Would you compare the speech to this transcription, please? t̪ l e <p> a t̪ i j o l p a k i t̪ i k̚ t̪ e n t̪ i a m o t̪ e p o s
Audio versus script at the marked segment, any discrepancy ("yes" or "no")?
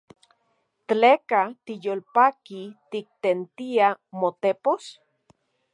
yes